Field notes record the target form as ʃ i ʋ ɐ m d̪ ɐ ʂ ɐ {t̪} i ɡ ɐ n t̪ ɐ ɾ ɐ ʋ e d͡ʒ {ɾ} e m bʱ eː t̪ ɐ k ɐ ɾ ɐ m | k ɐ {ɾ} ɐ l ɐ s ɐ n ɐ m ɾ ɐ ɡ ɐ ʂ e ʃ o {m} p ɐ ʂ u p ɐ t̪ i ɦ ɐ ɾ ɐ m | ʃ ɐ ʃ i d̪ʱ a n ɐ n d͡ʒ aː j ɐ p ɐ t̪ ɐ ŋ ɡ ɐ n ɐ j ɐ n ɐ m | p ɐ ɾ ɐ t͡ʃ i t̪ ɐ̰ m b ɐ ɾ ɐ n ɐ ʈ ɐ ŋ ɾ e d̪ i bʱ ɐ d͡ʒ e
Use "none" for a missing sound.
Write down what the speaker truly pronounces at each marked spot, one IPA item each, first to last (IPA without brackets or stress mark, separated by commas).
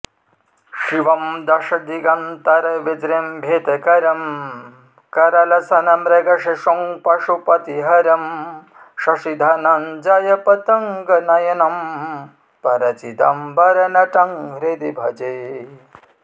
d̪, ɾ, ɾ, ŋ